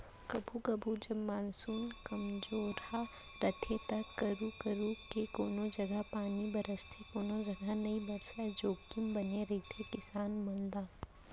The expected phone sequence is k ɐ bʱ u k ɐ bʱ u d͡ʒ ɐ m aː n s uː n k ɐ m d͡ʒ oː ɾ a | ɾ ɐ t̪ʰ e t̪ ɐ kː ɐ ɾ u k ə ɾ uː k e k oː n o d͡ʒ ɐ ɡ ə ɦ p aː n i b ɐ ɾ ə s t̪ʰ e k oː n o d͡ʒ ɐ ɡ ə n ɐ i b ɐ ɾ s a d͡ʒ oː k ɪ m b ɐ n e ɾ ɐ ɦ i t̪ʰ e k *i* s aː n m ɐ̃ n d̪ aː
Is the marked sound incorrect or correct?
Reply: incorrect: ɪ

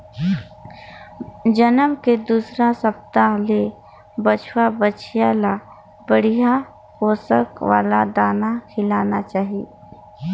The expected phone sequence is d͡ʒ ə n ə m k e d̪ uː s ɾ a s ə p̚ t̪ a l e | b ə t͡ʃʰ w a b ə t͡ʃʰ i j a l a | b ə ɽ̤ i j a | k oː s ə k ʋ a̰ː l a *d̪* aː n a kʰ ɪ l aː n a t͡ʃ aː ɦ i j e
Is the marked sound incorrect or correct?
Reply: correct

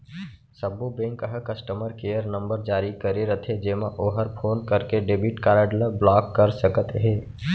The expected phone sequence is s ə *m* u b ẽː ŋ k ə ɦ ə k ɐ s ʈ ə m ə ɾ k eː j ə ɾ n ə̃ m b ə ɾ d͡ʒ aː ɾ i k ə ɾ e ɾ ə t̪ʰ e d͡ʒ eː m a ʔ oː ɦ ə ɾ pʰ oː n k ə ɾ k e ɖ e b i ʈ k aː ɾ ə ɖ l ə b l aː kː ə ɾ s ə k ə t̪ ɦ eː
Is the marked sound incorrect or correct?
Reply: incorrect: b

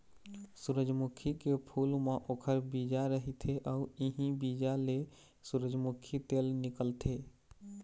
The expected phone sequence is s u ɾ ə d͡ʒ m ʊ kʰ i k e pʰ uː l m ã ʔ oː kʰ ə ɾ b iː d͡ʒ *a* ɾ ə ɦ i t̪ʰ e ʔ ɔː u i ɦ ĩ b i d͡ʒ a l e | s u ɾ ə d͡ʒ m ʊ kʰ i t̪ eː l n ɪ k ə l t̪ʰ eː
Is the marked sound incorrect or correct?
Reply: correct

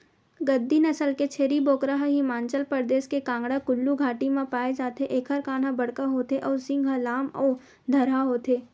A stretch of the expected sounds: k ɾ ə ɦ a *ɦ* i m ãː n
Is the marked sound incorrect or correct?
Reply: correct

